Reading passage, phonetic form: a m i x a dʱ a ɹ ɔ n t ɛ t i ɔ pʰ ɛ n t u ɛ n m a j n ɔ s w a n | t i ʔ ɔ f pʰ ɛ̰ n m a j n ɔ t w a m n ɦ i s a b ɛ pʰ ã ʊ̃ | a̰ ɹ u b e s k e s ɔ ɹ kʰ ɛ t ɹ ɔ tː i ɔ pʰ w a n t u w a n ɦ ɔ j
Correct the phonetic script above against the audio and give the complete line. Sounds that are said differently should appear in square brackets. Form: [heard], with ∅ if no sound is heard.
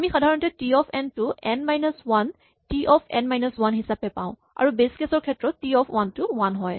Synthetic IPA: a m i x a dʱ a ɹ ɔ n t ɛ t i ɔ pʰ ɛ n t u ɛ n m a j n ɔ s w a n | t i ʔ ɔ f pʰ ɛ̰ n m a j n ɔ [s] w a [∅] n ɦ i s a [p] ɛ [p] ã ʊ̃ | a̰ ɹ u b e s k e s ɔ ɹ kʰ ɛ t ɹ ɔ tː i ɔ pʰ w a n t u w a n ɦ ɔ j

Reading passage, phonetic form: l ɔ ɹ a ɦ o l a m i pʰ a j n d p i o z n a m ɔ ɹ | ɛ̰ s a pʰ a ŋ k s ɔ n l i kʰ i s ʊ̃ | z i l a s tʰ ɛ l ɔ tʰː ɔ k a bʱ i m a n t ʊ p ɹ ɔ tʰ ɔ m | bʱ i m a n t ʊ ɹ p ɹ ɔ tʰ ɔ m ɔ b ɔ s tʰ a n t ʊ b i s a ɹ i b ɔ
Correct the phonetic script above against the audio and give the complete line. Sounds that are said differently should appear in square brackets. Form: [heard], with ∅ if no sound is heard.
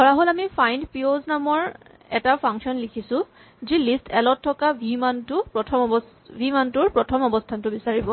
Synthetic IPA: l ɔ ɹ a ɦ o l a m i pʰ a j n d p i o z n a m ɔ ɹ | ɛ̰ [t] a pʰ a ŋ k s ɔ n l i kʰ i s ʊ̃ | z i l [i] s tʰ ɛ l ɔ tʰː ɔ k a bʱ i m a n t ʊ p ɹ ɔ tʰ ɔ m | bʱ i m a n t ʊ ɹ p ɹ ɔ tʰ ɔ m ɔ b ɔ s tʰ a n t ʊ b i s a ɹ i b ɔ

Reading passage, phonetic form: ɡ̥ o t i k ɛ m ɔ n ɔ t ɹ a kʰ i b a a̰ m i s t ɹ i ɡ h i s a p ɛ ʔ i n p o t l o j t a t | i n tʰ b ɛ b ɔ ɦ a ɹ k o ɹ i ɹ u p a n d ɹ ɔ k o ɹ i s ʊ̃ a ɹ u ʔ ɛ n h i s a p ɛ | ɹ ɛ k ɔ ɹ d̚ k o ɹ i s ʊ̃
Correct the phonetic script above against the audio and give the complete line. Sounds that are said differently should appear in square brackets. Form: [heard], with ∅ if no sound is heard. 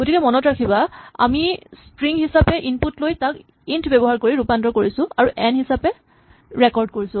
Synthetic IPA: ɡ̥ o t i k ɛ m ɔ n ɔ t ɹ a kʰ i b a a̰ m i s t ɹ i [ŋ] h i s a p ɛ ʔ i n p [u] t l o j t a [k] | i n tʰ b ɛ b ɔ ɦ a ɹ k o ɹ i ɹ u p a n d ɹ ɔ k o ɹ i s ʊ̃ a ɹ u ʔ ɛ n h i s a p ɛ | ɹ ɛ k ɔ ɹ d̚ k o ɹ i s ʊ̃

